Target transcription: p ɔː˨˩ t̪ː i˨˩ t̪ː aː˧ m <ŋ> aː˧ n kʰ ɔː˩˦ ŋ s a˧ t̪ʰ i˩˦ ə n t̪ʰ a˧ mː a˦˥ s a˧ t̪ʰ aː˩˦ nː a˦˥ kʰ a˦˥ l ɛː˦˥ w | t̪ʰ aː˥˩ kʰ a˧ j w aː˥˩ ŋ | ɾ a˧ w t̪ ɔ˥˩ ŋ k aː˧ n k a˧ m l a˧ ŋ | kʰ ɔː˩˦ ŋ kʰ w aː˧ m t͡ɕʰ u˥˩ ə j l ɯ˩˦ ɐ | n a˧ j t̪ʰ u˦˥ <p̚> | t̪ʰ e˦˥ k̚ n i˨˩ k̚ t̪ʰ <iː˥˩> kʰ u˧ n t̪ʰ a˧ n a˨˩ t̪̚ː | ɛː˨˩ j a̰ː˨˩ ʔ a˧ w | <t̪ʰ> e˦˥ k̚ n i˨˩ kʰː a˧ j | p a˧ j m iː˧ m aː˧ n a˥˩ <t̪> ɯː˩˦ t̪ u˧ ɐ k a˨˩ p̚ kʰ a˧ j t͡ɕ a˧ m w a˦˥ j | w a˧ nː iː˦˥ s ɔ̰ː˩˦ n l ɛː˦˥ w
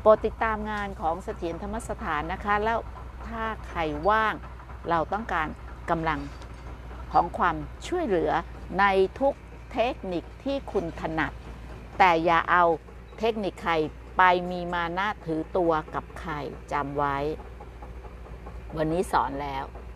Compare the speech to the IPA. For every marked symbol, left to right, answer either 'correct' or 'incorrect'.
correct, incorrect: k̚, correct, correct, incorrect: t̪ʰ

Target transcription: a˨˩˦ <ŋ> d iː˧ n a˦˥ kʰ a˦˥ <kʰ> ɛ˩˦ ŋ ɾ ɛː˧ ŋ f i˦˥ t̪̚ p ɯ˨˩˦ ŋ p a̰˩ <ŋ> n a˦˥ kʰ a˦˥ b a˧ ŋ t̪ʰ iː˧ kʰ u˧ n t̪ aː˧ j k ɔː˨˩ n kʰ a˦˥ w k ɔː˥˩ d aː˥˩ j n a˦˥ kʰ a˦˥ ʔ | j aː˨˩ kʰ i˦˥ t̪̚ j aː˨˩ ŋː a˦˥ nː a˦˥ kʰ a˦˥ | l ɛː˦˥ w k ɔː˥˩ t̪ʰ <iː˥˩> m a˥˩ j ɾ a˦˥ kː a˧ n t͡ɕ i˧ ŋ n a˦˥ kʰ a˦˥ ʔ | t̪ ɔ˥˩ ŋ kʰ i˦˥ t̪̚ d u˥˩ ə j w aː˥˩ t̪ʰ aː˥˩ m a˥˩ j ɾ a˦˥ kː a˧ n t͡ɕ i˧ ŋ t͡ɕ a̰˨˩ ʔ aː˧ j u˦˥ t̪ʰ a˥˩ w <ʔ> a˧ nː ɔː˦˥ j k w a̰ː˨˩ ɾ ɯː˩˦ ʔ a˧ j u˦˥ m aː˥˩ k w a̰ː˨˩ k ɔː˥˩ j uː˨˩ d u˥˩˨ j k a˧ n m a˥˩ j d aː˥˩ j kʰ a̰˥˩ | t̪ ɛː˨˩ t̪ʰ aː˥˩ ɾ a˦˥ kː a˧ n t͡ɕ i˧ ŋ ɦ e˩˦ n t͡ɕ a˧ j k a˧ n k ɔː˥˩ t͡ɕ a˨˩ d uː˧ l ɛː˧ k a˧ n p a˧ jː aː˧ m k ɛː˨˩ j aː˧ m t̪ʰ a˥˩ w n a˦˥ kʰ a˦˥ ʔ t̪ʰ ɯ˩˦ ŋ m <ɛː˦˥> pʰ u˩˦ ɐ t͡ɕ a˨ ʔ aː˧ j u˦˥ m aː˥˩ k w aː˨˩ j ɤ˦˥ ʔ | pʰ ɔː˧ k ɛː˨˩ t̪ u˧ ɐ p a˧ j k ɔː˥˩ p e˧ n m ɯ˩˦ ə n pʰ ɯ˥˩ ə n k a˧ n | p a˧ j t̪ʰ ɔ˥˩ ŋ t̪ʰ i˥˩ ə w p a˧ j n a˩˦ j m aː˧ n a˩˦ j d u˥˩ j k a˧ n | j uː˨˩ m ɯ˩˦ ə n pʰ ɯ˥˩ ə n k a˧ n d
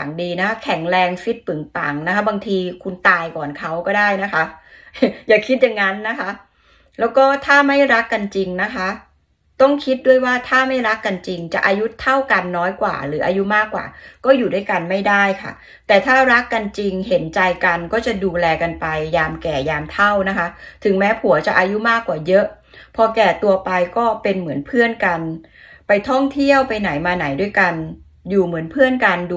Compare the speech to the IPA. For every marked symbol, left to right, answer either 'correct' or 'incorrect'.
correct, correct, correct, incorrect: aː˥˩, incorrect: k, correct

